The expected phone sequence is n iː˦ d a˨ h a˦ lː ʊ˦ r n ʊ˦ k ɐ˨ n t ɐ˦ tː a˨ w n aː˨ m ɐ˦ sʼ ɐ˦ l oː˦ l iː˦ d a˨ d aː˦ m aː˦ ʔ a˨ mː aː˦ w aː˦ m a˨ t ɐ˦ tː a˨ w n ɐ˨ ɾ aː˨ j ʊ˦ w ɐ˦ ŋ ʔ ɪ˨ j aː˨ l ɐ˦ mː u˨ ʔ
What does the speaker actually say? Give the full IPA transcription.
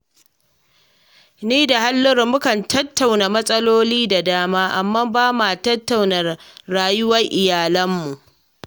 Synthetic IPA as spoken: n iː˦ d a˨ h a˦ lː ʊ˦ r m ʊ˦ k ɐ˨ n t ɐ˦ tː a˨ w n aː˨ m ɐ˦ sʼ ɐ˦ l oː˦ l iː˦ d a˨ d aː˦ m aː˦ ʔ a˨ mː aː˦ b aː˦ m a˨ t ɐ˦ tː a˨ w n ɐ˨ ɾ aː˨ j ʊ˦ w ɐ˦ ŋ ʔ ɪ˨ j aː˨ l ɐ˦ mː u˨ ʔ